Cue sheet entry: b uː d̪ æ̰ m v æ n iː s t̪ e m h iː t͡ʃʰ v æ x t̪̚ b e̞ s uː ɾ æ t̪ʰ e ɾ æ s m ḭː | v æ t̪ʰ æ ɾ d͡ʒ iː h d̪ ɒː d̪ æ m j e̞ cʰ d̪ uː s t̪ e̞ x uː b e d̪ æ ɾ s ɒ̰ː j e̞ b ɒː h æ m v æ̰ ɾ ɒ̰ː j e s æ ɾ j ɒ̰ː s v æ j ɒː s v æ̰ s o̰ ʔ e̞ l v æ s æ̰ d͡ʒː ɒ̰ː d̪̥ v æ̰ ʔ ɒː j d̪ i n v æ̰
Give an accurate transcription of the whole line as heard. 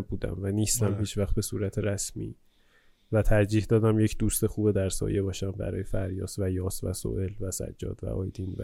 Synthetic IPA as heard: b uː d̪ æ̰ m v æ n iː s t̪ æ m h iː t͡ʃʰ v æ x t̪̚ b e̞ s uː ɾ æ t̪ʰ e ɾ æ s m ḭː | v æ t̪ʰ æ ɾ d͡ʒ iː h d̪ ɒː d̪ æ m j e̞ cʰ d̪ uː s t̪ e̞ x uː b e d̪ æ ɾ s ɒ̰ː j e̞ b ɒː ʃ æ m b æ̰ ɾ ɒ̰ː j e f æ ɾ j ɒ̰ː s v æ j ɒː s v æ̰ s o̰ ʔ e̞ l v æ s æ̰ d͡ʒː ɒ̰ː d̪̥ v æ̰ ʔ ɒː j d̪ i n v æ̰